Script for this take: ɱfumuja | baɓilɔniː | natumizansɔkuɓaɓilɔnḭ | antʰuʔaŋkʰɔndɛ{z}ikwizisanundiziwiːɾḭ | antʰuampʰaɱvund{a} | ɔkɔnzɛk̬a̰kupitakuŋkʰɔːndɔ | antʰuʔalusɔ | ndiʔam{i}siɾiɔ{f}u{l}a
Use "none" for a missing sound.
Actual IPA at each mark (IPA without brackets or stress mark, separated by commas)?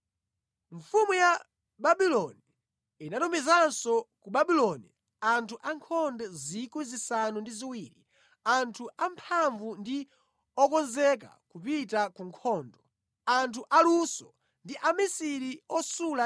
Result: z, i, i, s, l